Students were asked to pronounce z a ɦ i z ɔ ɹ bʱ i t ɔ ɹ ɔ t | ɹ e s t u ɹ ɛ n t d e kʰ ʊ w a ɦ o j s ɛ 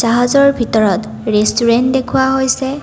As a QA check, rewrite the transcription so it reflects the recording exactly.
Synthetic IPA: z a ɦ a z ɔ ɹ bʱ i t ɔ ɹ ɔ t | ɹ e s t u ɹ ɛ n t d e kʰ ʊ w a ɦ o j s ɛ